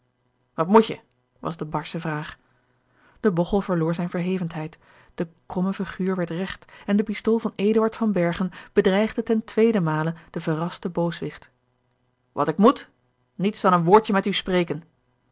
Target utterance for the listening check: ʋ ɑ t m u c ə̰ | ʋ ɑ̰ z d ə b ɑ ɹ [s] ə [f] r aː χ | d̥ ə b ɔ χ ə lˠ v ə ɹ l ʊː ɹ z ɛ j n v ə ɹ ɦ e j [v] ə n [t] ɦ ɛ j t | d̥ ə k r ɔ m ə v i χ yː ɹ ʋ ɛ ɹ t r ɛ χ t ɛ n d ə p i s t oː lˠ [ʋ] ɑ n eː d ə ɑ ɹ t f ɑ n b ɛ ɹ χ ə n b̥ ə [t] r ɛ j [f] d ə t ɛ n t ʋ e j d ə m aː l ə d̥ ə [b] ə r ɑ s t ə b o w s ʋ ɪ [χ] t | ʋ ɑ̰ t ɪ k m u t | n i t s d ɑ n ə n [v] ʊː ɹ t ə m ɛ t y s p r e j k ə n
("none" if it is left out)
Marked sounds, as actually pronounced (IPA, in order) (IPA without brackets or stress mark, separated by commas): s, v, v, t, v, d, χ, v, χ, ʋ